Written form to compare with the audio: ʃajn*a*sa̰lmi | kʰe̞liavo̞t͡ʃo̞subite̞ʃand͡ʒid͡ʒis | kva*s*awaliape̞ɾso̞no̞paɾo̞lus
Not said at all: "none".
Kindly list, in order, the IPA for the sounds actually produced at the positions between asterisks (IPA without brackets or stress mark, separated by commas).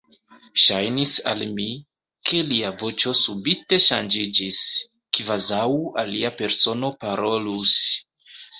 i, z